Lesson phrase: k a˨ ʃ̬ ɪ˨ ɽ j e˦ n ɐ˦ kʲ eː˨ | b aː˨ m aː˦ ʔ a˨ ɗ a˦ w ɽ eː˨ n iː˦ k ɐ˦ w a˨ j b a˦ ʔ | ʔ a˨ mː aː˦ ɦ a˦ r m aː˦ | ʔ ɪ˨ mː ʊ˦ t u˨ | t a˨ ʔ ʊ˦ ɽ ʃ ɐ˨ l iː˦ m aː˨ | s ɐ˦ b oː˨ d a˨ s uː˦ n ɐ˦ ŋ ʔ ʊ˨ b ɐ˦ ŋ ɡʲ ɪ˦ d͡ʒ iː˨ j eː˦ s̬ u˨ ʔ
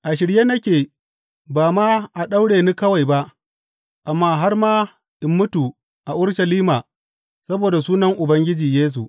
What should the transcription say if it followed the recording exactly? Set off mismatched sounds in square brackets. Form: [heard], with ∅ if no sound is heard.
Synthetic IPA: [ʔ] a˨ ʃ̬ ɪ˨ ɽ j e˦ n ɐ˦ kʲ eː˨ | b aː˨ m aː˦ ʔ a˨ ɗ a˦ w ɽ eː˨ n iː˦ k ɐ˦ w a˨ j b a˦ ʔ | ʔ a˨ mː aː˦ ɦ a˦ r m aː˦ | ʔ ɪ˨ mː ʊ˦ t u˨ | [ʔ] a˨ ʔ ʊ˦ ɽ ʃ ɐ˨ l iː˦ m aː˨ | s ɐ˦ b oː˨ d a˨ s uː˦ n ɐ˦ ŋ ʔ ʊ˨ b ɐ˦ ŋ ɡʲ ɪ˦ d͡ʒ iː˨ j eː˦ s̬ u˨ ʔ